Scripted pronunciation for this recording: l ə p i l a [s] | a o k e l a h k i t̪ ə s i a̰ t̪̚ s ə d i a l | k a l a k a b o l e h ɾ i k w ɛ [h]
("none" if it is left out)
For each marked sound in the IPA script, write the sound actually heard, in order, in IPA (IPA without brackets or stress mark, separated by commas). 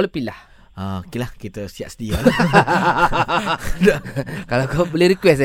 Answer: h, s